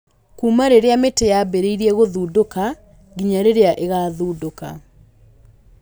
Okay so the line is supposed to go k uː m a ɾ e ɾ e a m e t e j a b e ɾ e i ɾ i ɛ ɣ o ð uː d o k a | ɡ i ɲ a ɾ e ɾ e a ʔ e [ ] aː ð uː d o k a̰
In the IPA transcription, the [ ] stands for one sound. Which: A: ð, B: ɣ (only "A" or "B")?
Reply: B